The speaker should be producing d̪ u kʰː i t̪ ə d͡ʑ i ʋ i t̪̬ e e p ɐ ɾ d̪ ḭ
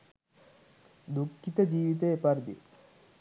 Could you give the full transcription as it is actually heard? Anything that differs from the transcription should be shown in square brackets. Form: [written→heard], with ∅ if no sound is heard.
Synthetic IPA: d̪ u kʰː i t̪ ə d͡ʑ [i→iː] ʋ i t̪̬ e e p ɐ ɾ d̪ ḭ